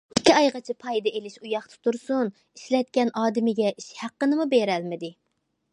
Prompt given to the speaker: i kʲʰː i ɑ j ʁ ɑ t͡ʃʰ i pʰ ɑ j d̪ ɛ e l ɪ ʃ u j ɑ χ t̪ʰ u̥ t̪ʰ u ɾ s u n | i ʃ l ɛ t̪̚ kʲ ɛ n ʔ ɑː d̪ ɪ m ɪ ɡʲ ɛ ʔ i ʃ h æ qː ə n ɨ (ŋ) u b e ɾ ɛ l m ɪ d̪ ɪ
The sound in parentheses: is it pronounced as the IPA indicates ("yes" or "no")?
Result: no